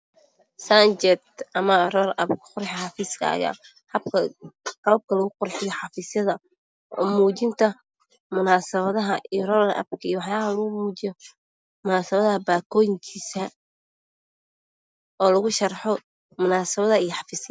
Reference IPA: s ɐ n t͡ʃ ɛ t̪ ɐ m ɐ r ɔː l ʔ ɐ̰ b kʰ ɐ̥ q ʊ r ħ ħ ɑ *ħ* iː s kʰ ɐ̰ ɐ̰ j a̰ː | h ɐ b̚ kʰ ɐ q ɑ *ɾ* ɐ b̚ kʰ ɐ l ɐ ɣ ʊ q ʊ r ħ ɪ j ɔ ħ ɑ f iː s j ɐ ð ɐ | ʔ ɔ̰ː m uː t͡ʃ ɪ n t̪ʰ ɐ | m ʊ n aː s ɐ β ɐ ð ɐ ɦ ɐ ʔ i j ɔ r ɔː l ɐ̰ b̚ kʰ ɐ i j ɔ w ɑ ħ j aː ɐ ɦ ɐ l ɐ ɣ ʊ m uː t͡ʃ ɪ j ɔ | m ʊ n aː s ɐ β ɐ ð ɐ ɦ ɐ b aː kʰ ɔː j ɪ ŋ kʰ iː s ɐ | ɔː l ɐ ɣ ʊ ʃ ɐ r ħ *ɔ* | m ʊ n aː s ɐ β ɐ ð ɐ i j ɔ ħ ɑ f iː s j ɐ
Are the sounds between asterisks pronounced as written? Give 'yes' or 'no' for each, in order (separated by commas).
no, no, yes